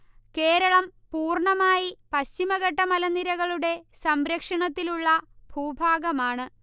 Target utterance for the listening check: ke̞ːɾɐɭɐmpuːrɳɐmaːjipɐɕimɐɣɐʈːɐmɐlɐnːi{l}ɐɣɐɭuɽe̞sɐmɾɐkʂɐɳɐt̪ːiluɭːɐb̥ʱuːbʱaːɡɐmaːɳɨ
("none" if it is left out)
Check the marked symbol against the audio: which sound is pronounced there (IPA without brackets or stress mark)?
ɾ